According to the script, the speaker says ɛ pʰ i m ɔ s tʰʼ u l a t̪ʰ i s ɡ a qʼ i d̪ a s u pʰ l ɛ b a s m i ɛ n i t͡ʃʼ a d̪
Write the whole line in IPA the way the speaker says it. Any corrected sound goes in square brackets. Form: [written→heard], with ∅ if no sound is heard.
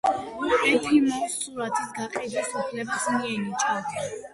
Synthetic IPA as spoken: ɛ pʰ i m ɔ s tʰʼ u [l→ɾ] a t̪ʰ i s ɡ a qʼ i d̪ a s u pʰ l ɛ b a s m i ɛ n i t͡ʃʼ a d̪